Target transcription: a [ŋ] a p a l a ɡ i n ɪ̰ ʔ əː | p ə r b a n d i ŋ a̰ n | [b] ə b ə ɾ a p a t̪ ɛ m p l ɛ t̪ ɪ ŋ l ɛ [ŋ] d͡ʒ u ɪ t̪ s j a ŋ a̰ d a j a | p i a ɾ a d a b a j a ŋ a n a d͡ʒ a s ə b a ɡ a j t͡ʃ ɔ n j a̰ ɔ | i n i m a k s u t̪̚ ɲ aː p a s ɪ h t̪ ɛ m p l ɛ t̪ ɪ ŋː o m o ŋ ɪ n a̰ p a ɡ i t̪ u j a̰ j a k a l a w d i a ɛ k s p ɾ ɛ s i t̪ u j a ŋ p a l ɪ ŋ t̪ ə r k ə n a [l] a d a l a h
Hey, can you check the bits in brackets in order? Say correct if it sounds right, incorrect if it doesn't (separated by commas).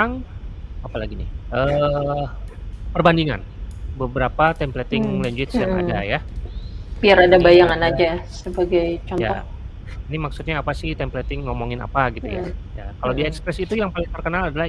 correct, correct, incorrect, correct